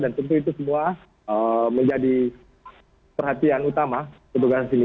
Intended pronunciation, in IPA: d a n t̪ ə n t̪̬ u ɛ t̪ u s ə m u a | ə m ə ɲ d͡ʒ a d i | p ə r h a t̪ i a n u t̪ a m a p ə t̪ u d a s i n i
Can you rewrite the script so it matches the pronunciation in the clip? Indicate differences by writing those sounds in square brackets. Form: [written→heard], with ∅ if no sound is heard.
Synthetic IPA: d a n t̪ ə n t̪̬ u [ɛ→i] t̪ u s ə m u a | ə m ə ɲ d͡ʒ a d i | p ə r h a t̪ i a n u t̪ a m a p ə t̪ u [d→ɡ] a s i n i